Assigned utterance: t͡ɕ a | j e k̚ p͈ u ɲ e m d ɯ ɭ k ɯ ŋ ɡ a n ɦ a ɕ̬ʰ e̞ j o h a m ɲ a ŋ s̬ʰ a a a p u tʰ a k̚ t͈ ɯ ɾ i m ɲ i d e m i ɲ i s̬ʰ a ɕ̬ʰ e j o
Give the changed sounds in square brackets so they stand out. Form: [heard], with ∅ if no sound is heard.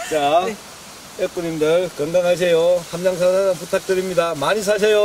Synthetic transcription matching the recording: t͡ɕ a | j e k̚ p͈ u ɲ [i] m d ɯ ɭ k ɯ ŋ ɡ a [ŋ] ɦ a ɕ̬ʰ e̞ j o h a m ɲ a ŋ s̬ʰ a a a p u tʰ a k̚ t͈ ɯ ɾ i m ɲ i d [a] m [a] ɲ i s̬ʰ a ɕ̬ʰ e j o